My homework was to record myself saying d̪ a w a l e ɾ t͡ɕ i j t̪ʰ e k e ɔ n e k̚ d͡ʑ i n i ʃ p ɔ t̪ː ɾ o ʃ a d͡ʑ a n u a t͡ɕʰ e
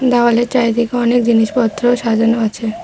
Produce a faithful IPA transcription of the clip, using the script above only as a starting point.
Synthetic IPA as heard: d̪ a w a l e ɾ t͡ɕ a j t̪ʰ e k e ɔ n e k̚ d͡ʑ i n i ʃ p ɔ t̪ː ɾ o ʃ a d͡ʑ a n o a t͡ɕʰ e